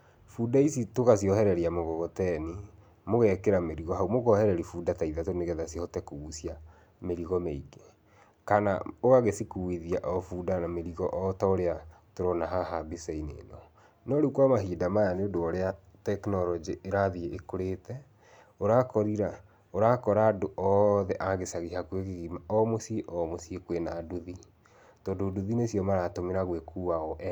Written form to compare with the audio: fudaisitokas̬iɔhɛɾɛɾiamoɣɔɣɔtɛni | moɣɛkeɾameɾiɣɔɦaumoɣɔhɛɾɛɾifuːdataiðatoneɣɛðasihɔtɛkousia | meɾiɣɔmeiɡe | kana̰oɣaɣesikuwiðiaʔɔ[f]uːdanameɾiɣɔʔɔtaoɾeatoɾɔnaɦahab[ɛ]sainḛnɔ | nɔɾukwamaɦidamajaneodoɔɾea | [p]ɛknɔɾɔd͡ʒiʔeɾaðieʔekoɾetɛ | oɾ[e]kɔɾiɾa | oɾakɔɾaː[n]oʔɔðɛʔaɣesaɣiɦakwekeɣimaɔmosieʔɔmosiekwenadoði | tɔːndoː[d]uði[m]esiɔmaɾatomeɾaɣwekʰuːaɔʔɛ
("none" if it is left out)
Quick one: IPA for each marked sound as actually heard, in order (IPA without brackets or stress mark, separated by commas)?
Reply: f, i, t, a, d, d, n